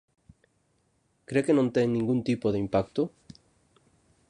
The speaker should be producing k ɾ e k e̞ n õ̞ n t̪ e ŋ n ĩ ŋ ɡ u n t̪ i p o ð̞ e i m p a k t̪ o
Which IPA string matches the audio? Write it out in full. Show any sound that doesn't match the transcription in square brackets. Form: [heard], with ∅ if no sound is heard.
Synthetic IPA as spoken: k ɾ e k e̞ n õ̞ n t̪ e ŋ n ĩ ŋ ɡ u n t̪ i p o ð̞ e i m p a k t̪ o